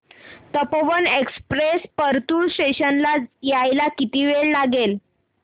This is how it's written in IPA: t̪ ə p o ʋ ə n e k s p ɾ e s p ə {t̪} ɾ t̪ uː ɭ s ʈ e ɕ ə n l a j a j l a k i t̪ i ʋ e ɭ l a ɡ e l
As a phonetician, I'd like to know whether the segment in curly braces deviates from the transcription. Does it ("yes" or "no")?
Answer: yes